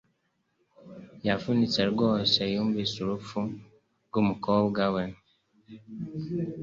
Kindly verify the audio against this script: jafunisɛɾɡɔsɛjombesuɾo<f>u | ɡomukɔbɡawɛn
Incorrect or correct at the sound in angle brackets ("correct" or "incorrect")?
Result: correct